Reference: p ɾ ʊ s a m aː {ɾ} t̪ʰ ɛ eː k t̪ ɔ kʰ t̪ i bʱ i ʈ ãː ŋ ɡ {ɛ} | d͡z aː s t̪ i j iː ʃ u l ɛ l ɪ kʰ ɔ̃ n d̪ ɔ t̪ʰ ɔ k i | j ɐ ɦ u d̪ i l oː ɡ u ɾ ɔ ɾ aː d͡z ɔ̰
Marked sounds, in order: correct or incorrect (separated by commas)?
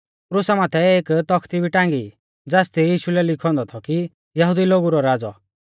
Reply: incorrect, incorrect